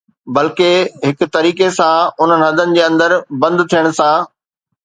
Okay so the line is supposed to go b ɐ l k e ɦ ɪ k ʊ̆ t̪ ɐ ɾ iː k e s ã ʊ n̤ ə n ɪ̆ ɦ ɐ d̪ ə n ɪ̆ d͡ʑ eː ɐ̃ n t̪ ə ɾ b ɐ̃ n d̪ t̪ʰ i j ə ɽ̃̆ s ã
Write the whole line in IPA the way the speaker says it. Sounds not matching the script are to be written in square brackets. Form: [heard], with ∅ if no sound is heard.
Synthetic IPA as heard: b ɐ l k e ɦ ɪ k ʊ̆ t̪ ɐ ɾ iː k e s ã ʊ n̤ ə n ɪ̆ ɦ ɐ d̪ ə n ɪ̆ d͡ʑ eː ɐ̃ n [d̪] ə ɾ b ɐ̃ n d̪ t̪ʰ i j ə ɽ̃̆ s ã